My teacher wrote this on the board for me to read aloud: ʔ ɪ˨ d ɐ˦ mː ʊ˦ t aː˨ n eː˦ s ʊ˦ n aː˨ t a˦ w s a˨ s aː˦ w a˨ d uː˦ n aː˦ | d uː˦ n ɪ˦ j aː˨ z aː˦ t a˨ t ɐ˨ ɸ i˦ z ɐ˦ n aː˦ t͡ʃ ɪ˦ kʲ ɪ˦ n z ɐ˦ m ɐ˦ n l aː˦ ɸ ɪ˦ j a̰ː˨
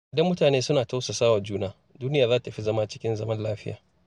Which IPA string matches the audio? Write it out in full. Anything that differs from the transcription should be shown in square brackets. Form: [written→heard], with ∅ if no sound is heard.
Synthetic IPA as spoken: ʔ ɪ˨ d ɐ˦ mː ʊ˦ t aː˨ n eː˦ s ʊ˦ n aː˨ t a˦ w s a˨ s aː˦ w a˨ [d→d͡ʒ] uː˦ n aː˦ | d uː˦ n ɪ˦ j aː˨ z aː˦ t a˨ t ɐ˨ ɸ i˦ z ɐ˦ [n→m] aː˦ t͡ʃ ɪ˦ kʲ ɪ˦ n z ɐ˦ m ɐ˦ n l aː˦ ɸ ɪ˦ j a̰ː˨